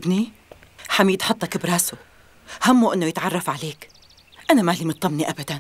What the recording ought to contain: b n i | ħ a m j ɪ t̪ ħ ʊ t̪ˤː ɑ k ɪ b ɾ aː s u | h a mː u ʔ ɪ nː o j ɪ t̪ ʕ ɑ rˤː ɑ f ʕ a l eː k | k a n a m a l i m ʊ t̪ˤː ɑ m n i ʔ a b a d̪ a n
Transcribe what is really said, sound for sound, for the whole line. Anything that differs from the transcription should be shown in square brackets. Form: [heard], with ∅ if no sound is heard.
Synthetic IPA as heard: b n i | ħ a m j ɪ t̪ ħ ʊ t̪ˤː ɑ k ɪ b ɾ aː s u | h a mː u ʔ ɪ nː o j ɪ t̪ ʕ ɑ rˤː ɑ f ʕ a l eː k | [ʔ] a n a m a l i m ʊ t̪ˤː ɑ m n i ʔ a b a d̪ a n